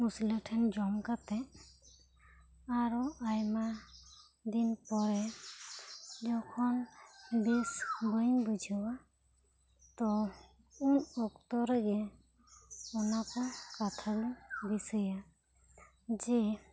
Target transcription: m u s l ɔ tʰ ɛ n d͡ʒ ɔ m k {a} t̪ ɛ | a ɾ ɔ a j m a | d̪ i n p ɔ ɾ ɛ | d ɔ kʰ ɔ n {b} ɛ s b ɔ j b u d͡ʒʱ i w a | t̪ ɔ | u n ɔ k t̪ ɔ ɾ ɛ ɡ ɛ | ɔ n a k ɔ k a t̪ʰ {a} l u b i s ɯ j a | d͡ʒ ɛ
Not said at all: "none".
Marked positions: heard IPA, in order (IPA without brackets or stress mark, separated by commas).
a, b, a